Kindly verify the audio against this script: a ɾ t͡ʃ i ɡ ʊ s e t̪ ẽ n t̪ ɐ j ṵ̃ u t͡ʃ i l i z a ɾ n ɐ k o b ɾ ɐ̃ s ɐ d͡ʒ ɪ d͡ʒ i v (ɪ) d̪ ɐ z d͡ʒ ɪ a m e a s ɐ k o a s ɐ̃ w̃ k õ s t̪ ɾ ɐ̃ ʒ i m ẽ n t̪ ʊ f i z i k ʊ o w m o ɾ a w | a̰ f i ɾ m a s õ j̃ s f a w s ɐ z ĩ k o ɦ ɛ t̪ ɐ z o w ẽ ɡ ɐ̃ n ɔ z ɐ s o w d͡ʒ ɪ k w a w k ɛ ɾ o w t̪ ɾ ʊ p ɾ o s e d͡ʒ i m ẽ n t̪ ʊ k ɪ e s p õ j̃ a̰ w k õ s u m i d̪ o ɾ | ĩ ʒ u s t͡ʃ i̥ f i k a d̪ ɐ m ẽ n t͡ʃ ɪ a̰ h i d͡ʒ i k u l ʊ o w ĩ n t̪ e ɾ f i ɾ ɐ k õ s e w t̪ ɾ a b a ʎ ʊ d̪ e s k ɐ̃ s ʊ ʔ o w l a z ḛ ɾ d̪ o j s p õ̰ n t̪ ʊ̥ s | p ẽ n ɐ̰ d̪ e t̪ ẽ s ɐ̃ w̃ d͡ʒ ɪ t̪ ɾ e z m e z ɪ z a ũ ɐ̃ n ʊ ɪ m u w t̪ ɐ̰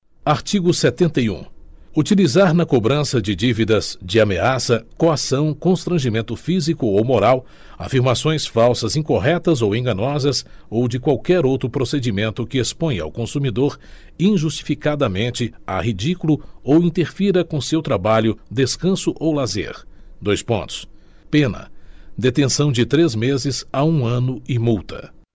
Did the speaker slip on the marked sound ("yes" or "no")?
yes